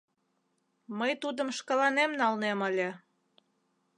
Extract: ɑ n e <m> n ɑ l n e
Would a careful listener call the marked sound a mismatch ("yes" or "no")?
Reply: no